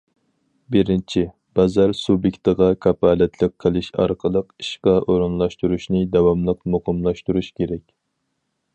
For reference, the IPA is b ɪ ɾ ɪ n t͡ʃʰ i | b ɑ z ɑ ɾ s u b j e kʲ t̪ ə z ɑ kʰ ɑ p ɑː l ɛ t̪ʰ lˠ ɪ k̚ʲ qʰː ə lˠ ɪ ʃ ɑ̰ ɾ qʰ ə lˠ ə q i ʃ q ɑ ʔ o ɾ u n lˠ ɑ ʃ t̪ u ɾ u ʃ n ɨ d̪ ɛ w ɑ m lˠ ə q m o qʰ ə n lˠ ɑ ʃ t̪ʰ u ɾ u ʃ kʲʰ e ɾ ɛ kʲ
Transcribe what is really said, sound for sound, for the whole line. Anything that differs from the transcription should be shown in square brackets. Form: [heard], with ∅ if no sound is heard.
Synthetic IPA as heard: b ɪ ɾ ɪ n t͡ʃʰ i | b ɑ z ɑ ɾ s u b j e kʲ t̪ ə [ʁ] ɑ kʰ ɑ p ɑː l ɛ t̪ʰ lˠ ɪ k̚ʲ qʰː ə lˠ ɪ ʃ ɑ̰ ɾ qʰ ə lˠ ə q i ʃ q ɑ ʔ o ɾ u n lˠ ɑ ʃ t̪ u ɾ u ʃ n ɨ d̪ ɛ w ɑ m lˠ ə q m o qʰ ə [m] lˠ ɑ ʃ [t̪] u ɾ u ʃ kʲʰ e ɾ ɛ kʲ